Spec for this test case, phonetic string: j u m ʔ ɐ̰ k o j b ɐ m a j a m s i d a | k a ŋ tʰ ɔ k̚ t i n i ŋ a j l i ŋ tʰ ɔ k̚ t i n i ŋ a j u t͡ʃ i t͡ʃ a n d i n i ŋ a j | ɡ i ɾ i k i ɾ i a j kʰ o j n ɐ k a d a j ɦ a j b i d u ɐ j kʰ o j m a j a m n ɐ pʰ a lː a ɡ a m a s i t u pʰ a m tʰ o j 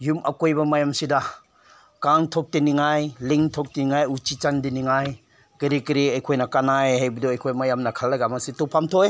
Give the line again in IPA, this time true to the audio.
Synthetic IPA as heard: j u m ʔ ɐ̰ k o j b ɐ m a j a m s i d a | k a ŋ tʰ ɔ k̚ t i n i ŋ a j l i ŋ tʰ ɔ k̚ t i n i ŋ a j u t͡ʃ i t͡ʃ a n d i n i ŋ a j | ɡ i ɾ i k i ɾ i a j kʰ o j n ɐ k a n a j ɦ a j b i d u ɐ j kʰ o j m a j a m n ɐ kʰ a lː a ɡ a m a s i t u pʰ a m tʰ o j